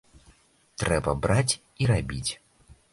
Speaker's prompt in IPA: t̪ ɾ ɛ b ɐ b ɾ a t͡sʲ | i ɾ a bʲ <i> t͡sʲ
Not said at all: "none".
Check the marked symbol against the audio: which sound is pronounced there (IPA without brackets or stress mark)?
i